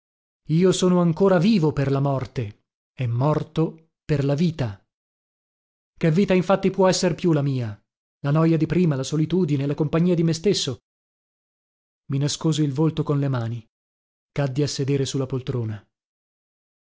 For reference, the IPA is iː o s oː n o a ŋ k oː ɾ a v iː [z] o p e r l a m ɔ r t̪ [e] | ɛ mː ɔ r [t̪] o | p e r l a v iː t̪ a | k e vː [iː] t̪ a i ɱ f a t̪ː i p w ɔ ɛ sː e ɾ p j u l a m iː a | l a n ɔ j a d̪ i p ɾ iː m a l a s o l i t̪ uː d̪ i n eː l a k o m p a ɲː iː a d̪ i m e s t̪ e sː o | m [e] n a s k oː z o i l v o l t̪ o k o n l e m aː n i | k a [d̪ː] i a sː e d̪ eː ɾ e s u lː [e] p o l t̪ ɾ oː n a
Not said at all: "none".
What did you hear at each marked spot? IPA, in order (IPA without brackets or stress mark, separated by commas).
v, e, t̪, iː, i, d̪ː, a